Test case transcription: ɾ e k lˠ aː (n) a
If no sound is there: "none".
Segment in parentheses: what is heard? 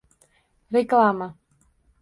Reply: m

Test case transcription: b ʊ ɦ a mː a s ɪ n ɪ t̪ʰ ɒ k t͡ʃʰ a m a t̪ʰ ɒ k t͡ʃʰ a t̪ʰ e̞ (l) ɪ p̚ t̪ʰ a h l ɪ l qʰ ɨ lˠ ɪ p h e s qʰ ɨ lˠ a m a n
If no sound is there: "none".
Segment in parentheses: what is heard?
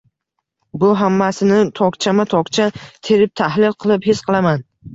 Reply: ɾ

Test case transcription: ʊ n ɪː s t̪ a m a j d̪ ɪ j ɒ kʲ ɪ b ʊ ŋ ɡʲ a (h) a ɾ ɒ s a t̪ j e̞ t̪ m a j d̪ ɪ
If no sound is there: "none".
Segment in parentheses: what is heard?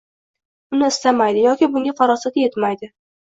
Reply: f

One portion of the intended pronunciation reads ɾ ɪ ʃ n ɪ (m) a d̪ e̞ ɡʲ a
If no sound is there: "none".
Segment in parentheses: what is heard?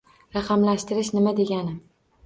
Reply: m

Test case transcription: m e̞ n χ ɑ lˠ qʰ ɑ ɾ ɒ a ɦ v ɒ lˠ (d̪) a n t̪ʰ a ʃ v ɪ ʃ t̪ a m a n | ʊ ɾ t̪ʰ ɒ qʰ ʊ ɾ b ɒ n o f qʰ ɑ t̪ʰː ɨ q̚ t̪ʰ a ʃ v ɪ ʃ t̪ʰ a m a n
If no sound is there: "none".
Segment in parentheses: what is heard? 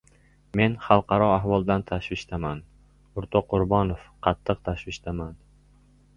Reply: d̪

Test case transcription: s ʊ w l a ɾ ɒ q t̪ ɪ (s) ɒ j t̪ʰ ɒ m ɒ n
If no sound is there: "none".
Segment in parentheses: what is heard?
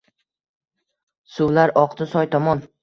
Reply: s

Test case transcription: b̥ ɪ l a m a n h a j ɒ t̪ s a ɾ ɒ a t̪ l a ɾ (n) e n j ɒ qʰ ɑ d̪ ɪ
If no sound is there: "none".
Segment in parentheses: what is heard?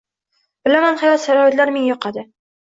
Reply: m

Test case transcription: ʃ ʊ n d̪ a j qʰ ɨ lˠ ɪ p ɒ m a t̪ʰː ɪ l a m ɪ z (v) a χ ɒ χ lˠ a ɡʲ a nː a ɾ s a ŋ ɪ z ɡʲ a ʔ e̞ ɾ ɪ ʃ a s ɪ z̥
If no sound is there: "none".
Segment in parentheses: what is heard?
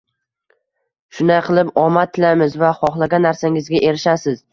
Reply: v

